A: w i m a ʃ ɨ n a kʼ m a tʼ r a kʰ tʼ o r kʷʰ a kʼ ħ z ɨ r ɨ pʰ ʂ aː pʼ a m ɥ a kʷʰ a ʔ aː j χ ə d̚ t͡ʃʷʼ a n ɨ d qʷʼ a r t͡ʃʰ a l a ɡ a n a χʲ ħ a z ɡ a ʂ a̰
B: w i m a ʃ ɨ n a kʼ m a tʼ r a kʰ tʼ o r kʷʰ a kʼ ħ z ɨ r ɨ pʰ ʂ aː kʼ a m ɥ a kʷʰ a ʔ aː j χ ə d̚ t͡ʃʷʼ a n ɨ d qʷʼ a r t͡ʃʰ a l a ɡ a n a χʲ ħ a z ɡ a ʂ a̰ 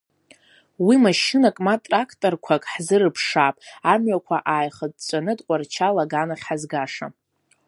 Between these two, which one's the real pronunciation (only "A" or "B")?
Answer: A